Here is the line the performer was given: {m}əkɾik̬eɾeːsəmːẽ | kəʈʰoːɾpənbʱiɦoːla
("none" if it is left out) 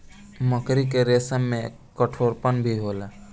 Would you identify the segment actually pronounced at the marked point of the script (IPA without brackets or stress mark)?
m